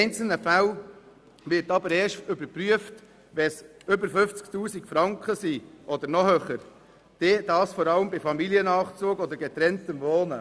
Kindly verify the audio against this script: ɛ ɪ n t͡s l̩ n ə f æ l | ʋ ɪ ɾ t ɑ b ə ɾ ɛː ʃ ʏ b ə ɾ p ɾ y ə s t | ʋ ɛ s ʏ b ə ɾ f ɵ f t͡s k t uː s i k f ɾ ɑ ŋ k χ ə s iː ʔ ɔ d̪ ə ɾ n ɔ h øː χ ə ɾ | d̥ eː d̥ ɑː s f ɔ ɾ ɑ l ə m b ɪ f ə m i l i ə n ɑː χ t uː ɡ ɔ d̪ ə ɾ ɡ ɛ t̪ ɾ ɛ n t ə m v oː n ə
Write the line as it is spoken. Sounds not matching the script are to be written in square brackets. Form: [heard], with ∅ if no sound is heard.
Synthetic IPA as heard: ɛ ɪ n t͡s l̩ n ə f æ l | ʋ ɪ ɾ t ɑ b ə ɾ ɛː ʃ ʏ b ə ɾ p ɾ y ə [f] t | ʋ ɛ s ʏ b ə ɾ f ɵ f t͡s k t uː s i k f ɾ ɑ ŋ k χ ə s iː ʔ ɔ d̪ ə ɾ n ɔ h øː χ ə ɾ | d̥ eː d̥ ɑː s f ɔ ɾ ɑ l ə m b ɪ f [ɑ] m i l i ə n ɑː χ [t͡s] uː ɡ ɔ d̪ ə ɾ ɡ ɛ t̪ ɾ ɛ n t ə m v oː n ə